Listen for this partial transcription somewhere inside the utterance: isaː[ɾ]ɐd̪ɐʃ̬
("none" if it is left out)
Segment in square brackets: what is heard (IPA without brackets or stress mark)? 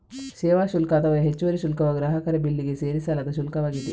l